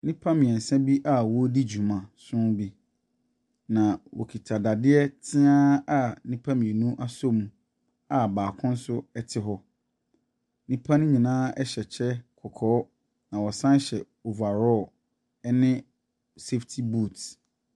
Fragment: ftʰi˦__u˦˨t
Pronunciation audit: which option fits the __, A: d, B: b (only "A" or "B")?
B